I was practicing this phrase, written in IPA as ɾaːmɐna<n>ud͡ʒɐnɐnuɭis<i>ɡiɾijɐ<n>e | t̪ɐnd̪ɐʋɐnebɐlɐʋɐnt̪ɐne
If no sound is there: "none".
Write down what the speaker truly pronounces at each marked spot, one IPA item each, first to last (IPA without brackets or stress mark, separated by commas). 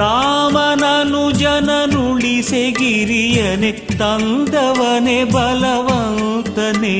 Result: n, e, n